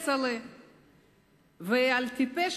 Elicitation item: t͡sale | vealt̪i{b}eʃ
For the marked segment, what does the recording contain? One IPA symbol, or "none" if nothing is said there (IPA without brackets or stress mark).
p